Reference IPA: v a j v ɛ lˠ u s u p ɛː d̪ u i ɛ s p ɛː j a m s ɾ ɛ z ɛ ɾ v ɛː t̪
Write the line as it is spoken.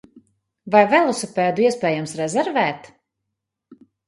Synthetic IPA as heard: v a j v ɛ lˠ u s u p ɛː d̪ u i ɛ s p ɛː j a m s ɾ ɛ z ɛ ɾ v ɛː t̪

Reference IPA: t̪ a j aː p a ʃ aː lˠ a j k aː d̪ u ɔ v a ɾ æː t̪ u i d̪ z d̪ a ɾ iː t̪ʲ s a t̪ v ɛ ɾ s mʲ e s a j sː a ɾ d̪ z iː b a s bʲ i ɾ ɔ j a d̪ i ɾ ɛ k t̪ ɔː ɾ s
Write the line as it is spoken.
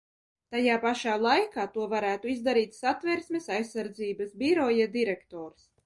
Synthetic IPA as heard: t̪ a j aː p a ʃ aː lˠ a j k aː t̪ u ɔ v a ɾ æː t̪ u i z d̪ a ɾ iː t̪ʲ s a t̪ v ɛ ɾ s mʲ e s a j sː a ɾ d̪ z iː b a s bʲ i ɾ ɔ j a d̪ i ɾ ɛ k t̪ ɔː ɾ s

